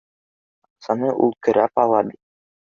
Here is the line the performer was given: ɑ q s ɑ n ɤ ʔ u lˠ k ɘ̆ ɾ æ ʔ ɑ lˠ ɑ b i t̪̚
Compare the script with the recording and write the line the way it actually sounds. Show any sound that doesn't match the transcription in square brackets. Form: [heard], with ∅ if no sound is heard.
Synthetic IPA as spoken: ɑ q s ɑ n ɤ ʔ u lˠ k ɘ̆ ɾ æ [p] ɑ lˠ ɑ b i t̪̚

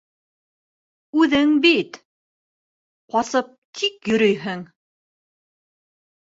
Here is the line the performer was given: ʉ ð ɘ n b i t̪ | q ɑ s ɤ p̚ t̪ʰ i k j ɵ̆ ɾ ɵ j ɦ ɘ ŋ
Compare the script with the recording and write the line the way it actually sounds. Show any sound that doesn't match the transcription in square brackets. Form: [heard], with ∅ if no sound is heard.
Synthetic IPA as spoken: ʉ ð ɘ [ŋ] b i t̪ | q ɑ s ɤ p̚ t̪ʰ i k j ɵ̆ ɾ ɵ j ɦ ɘ ŋ

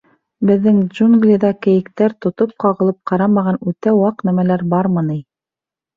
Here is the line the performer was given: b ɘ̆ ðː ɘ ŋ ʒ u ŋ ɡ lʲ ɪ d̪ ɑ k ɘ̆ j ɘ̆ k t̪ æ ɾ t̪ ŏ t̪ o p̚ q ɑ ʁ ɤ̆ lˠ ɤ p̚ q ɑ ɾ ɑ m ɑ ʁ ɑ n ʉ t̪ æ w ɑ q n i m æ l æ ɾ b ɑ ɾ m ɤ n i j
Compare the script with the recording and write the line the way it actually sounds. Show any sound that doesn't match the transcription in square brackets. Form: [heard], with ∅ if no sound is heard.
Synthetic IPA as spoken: b ɘ̆ ðː ɘ ŋ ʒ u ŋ ɡ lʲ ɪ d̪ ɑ k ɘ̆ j ɘ̆ k t̪ æ ɾ t̪ ŏ t̪ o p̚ q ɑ ʁ ɤ̆ lˠ ɤ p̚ q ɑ ɾ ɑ m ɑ ʁ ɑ n ʉ t̪ æ w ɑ q n [æ] m æ l æ ɾ b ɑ ɾ m ɤ n i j

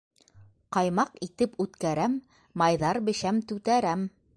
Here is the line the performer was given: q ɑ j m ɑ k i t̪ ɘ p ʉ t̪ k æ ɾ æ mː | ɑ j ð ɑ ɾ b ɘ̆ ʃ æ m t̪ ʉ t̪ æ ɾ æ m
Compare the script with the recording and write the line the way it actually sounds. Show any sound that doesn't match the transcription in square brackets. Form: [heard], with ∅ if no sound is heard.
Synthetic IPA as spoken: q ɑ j m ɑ [q] i t̪ ɘ p ʉ t̪ k æ ɾ æ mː | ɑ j ð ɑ ɾ b ɘ̆ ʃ æ m t̪ ʉ t̪ æ ɾ æ m

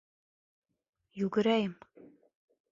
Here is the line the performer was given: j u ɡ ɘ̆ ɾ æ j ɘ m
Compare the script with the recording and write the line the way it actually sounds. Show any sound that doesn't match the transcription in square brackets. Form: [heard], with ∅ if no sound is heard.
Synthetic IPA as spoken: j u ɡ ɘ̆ ɾ æ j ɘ m

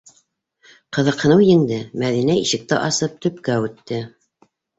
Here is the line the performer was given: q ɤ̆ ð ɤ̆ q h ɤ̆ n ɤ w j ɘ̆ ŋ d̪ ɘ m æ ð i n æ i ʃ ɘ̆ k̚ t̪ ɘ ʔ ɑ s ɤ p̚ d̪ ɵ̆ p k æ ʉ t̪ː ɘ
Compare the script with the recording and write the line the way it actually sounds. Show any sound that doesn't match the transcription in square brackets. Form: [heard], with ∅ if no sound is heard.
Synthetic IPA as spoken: q ɤ̆ ð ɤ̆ q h ɤ̆ n ɤ w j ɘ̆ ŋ d̪ ɘ m æ ð i n æ i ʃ ɘ̆ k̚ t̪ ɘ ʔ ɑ s ɤ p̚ [t̪] ɵ̆ p k æ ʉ t̪ː ɘ

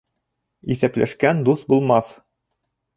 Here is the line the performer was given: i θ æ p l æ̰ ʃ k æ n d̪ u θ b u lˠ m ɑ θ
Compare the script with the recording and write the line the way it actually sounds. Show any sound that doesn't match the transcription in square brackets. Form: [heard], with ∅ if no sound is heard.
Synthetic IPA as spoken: i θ æ p l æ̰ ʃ k æ n d̪ u θ b u lˠ m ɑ θ

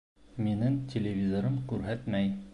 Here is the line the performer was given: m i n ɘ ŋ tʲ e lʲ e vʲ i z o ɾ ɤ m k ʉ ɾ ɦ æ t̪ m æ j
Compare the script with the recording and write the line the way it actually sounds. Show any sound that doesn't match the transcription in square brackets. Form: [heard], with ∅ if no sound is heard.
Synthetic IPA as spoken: m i n ɘ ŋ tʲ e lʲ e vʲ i z o ɾ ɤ m k ʉ ɾ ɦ æ t̪ m æ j

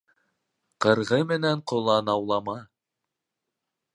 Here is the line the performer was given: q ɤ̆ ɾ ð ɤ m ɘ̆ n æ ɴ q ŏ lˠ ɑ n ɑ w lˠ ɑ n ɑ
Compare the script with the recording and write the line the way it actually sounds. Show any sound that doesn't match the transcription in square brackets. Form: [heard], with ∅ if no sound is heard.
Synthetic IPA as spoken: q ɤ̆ ɾ [ʁ] ɤ m ɘ̆ n æ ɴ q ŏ lˠ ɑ n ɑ w lˠ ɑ [m] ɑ

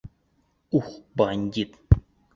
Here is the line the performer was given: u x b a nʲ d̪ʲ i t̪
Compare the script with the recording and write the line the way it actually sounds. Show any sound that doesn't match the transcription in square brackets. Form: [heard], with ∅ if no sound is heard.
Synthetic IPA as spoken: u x b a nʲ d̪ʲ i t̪

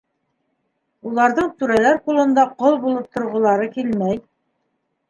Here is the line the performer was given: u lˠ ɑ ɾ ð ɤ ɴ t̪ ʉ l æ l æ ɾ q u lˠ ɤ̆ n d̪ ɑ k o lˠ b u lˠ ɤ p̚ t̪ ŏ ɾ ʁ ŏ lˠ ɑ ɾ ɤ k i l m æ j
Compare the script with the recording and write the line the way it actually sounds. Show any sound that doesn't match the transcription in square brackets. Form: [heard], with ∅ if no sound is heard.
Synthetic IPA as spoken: u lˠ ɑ ɾ ð ɤ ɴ t̪ ʉ [ɾ] æ l æ ɾ q u lˠ ɤ̆ n d̪ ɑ [q] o lˠ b u lˠ ɤ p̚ t̪ ŏ ɾ ʁ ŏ lˠ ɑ ɾ ɤ k i l m æ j

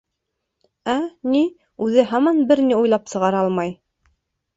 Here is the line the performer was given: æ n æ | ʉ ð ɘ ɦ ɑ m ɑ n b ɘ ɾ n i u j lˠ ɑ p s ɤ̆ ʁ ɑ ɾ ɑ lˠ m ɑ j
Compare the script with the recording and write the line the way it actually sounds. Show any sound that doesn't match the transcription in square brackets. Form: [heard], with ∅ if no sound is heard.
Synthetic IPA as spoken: æ n [i] | ʉ ð ɘ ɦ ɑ m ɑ n b ɘ ɾ n i u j lˠ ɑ p s ɤ̆ ʁ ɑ ɾ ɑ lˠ m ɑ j

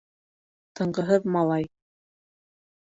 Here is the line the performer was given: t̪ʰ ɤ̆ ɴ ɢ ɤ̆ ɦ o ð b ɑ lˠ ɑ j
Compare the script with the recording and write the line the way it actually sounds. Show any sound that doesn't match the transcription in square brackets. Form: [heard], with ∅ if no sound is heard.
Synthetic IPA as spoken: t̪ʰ ɤ̆ ɴ ɢ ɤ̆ ɦ [ɤ] ð [m] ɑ lˠ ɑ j

